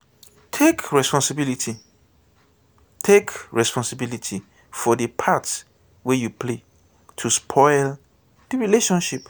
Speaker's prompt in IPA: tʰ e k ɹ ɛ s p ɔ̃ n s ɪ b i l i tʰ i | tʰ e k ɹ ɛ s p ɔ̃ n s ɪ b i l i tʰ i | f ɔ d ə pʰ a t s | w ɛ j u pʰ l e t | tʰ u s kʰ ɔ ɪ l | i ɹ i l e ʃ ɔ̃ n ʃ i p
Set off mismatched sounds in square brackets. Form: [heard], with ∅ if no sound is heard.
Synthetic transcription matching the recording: tʰ e k ɹ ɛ s p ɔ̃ n s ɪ b i l i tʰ i | tʰ e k ɹ ɛ s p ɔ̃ n s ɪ b i l i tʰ i | f ɔ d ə pʰ a t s | w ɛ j u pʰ l e [∅] | tʰ u s [pʰ] ɔ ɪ l | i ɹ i l e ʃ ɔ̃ n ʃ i p